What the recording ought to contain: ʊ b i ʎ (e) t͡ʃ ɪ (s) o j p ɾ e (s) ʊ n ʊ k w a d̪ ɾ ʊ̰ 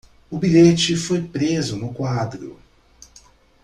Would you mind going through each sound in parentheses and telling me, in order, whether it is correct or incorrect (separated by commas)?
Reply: correct, incorrect, incorrect